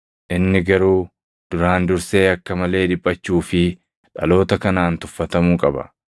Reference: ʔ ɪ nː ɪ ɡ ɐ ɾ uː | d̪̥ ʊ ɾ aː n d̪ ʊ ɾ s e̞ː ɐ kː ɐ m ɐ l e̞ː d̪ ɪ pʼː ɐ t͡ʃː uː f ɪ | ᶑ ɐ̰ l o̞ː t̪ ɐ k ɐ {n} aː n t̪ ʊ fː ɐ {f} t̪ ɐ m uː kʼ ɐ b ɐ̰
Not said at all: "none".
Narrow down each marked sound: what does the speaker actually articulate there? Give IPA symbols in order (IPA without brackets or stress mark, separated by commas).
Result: n, none